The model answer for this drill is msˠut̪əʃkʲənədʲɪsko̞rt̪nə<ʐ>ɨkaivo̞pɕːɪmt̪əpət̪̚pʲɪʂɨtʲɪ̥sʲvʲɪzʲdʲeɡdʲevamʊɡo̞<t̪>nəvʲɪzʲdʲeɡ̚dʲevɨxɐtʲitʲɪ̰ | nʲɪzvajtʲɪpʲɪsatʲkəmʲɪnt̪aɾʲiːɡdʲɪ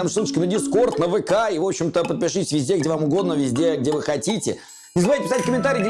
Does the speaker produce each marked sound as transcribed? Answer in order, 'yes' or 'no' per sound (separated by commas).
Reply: no, no